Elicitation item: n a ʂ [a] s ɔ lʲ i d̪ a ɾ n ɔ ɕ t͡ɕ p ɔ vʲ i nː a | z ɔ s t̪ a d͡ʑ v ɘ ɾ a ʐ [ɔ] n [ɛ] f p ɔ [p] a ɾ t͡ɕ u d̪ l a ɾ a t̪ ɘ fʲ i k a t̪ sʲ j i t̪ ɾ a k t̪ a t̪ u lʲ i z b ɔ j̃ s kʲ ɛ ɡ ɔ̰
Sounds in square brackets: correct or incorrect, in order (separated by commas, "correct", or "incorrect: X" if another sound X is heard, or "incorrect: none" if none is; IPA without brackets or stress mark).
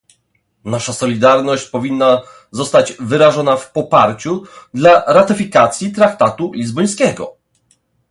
correct, correct, incorrect: a, correct